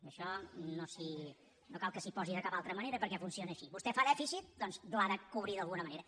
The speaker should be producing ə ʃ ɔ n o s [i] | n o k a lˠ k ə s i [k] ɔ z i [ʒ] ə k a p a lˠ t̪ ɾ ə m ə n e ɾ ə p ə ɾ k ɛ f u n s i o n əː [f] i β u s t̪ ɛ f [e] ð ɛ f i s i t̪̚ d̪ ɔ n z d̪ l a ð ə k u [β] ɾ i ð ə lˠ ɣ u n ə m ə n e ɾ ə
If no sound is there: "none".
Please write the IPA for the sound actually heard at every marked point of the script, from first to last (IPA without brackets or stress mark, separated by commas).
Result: i, p, ð, ʃ, a, β